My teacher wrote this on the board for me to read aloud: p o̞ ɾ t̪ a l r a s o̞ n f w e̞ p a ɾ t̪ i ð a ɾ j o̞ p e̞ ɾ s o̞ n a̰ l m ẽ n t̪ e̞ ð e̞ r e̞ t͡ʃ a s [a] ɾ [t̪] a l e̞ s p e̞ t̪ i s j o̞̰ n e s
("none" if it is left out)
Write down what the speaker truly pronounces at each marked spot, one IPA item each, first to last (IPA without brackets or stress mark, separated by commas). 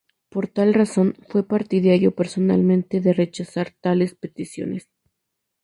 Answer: a, t̪